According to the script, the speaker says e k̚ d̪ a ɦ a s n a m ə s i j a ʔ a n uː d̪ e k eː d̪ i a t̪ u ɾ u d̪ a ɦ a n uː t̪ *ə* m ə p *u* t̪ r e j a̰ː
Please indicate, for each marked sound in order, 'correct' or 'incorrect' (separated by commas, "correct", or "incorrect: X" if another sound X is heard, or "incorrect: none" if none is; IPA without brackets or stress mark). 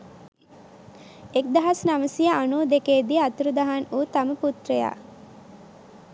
incorrect: a, correct